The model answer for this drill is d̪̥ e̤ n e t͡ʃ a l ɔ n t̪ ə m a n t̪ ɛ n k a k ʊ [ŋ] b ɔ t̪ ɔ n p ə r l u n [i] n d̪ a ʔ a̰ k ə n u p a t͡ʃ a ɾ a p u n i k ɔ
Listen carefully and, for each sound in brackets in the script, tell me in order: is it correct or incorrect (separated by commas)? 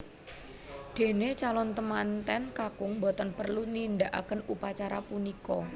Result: correct, correct